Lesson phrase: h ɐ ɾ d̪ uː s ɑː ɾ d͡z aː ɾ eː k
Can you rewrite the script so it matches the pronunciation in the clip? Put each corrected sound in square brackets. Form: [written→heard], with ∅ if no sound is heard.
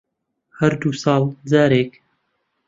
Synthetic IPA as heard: h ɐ ɾ d̪ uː s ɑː [ɾ→l] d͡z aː ɾ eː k